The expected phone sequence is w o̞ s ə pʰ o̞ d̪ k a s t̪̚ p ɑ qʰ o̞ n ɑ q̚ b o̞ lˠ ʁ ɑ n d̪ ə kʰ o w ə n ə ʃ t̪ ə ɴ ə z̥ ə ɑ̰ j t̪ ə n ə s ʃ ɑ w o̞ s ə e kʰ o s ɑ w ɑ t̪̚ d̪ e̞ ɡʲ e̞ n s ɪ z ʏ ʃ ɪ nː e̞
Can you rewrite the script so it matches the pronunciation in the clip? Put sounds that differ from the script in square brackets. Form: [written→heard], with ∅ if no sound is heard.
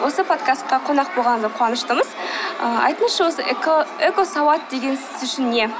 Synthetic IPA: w o̞ s ə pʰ o̞ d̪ k a s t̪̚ [p→q] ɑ qʰ o̞ n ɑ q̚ b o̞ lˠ ʁ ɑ n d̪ ə [kʰ→qʰ] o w [ə→ɑ] n ə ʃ t̪ ə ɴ ə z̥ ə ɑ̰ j t̪ ə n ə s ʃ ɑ w o̞ s ə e [kʰ→k] o s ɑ w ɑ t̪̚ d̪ e̞ ɡʲ e̞ n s ɪ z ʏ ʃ ɪ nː e̞